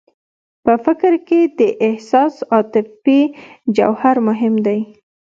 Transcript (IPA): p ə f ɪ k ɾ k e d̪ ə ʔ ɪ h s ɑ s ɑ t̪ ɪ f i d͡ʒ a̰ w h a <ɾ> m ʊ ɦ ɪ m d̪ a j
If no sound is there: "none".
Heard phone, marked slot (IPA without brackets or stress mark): ɾ